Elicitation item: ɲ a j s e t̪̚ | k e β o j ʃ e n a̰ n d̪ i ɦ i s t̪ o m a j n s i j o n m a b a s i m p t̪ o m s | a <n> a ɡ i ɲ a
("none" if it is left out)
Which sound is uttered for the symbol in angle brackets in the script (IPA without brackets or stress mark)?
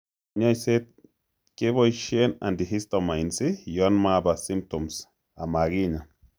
m